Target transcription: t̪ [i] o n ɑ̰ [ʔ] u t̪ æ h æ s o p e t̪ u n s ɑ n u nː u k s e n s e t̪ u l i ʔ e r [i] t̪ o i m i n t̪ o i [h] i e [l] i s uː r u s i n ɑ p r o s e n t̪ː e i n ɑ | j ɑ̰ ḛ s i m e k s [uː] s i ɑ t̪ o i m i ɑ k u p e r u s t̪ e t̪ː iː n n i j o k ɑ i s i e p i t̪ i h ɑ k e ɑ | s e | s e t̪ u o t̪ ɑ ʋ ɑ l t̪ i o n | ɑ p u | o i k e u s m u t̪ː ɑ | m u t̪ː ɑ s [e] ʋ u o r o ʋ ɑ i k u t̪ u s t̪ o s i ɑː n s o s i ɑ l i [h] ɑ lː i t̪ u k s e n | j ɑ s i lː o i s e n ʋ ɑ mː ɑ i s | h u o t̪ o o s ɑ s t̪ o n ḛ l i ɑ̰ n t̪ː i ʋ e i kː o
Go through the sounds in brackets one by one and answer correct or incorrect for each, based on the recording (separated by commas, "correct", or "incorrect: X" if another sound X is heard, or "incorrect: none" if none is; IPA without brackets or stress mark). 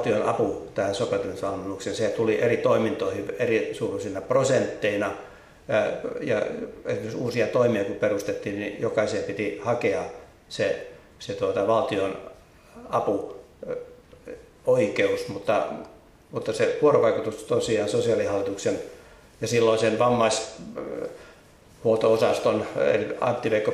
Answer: correct, incorrect: p, correct, correct, incorrect: r, correct, correct, correct